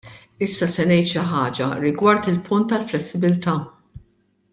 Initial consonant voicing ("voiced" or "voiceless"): voiceless